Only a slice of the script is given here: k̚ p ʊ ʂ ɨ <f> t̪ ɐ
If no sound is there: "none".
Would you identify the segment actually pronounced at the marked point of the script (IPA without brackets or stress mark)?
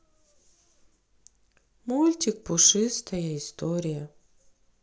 s